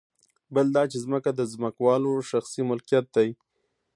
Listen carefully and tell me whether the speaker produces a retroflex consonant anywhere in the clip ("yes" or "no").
no